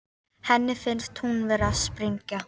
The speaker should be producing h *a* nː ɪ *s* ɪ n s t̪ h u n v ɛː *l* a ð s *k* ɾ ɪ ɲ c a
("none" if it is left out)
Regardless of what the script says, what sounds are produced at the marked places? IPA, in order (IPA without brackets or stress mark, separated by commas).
ɛ, f, ɾ, p